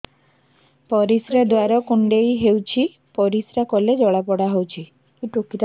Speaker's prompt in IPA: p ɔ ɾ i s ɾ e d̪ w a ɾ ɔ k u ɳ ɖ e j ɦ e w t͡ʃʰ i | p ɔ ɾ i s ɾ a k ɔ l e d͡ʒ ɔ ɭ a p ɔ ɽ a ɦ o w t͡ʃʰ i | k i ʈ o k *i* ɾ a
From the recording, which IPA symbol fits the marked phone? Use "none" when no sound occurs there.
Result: i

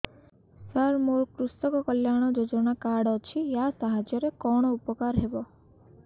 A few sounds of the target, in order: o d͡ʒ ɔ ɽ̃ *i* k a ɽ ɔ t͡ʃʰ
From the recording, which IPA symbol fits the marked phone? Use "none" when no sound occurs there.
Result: a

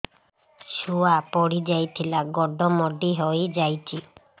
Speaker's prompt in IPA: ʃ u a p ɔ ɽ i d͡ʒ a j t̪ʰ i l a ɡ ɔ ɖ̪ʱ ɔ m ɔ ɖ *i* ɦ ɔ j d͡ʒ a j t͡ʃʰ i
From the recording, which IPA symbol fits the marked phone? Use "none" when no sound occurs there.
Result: i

